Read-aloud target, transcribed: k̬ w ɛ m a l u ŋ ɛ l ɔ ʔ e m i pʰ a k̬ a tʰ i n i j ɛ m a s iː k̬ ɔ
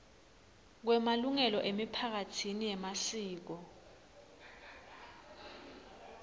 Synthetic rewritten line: k̬ w ɛ m a l u ŋ ɛ l ɔ ʔ e m i pʰ a k̬ a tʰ i n i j ɛ m a s iː k̬ ɔ